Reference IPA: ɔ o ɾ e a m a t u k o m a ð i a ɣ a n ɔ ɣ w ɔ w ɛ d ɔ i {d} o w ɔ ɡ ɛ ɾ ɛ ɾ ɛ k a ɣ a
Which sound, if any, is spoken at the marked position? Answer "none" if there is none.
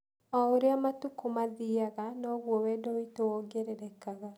t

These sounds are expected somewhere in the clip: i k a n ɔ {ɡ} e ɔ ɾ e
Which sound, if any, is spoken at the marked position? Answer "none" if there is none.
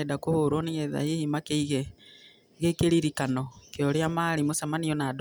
k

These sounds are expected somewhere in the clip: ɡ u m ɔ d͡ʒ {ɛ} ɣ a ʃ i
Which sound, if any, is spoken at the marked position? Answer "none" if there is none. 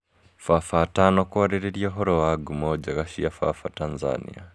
a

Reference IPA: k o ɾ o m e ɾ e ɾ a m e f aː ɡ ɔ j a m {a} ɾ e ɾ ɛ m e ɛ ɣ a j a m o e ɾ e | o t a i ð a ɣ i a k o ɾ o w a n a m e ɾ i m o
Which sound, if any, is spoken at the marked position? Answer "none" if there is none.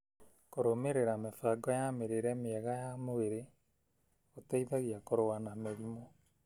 e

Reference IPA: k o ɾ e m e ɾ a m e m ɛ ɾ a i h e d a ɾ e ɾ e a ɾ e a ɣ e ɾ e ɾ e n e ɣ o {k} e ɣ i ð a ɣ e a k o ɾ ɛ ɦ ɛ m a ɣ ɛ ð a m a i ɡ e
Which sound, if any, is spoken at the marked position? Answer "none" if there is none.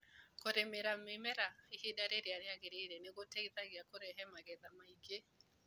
t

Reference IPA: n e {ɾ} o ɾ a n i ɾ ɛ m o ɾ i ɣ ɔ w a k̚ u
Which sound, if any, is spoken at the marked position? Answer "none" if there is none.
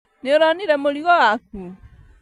none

